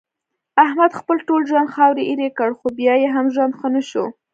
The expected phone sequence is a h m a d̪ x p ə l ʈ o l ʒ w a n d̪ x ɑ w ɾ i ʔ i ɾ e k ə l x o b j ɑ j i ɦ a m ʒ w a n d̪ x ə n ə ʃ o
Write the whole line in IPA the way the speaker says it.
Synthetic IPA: a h m a d̪ x p ə l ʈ o l ʒ w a n d̪ x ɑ w ɾ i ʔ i ɾ e k ə ɽ x o b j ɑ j e ɦ a m ʒ w a n d̪ x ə n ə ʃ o